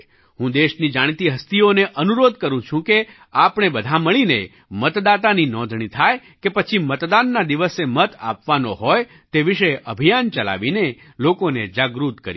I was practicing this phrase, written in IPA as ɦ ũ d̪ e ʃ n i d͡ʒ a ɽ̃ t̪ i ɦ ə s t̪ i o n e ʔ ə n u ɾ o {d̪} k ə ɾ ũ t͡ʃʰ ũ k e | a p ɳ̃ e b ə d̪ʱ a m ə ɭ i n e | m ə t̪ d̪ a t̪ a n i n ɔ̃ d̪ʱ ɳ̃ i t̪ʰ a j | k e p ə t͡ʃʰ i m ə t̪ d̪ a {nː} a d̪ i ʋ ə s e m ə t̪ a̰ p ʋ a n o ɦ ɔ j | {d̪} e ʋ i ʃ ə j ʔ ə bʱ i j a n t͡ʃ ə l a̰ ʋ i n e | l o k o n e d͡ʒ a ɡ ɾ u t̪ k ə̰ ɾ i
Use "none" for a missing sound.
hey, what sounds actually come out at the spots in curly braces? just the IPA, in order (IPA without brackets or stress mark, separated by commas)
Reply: d̪, nː, t̪